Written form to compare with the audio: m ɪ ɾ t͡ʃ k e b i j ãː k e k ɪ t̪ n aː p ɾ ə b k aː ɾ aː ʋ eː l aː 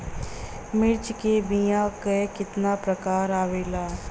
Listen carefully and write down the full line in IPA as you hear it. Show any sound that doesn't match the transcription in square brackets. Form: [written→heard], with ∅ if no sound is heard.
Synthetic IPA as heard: m ɪ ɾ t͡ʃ k e b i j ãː k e k ɪ t̪ n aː p ɾ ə [b→∅] k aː ɾ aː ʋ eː l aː